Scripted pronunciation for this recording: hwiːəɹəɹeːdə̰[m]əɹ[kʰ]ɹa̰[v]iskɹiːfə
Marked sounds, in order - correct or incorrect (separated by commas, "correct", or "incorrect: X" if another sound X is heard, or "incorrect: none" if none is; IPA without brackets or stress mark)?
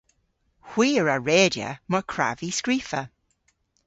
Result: correct, correct, correct